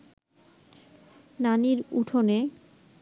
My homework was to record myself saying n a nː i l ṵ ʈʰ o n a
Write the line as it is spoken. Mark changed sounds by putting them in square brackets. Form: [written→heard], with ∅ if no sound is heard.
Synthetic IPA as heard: n a [nː→n] i [l→ɾ] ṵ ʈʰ o n [a→e]